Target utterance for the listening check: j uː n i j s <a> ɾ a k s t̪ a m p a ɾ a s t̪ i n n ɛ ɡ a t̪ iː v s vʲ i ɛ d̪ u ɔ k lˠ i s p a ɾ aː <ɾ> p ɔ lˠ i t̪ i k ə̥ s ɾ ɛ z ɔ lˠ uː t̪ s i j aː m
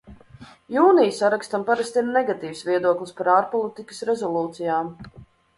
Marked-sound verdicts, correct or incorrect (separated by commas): correct, correct